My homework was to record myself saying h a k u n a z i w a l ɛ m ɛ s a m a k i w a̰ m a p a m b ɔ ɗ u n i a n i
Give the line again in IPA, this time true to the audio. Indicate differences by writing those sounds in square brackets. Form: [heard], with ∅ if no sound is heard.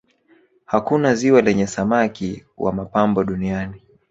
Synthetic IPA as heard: h a k u n a z i w a l ɛ [ɲ] ɛ s a m a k i w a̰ m a p a m b ɔ ɗ u n i a n i

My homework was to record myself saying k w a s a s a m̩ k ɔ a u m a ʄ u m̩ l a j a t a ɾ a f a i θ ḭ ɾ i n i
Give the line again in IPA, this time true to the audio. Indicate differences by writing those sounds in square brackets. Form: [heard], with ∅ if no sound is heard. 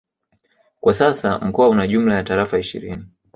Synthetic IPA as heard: k w a s a s a m̩ k ɔ a u [n] a ʄ u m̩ l a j a t a ɾ a f a i [ʃ] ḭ ɾ i n i

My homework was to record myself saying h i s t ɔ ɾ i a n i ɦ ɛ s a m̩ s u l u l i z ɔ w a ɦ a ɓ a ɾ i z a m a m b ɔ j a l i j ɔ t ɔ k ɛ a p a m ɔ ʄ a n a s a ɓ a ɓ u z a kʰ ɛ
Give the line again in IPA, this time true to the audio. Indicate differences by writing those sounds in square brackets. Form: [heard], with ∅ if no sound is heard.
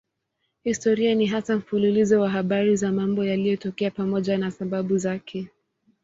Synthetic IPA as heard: h i s t ɔ ɾ i a n i ɦ [a] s a m̩ [f] u l u l i z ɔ w a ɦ a ɓ a ɾ i z a m a m b ɔ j a l i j ɔ t ɔ k ɛ a p a m ɔ ʄ a n a s a ɓ a ɓ u z a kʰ ɛ

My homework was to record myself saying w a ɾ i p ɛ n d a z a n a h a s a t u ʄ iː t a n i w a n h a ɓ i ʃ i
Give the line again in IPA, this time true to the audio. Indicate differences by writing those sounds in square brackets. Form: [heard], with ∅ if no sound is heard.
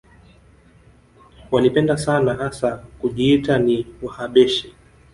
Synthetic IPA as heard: w a [l] i p ɛ n d a [s] a n a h a s a [k] u ʄ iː t a n i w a [∅] h a ɓ [ɛ] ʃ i

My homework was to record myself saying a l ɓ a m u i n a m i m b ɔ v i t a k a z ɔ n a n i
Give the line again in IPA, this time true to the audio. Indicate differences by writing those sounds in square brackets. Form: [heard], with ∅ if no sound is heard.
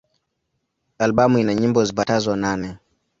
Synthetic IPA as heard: a l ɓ a m u i n a [ɲ] i m b ɔ [z] i [p] a [t] a z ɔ n a n [ɛ]

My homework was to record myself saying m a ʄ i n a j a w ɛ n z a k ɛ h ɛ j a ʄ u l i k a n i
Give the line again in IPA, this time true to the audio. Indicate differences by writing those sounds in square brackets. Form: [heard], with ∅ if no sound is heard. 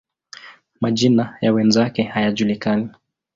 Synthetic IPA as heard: m a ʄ i n a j a w ɛ n z a k ɛ h [a] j a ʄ u l i k a n i

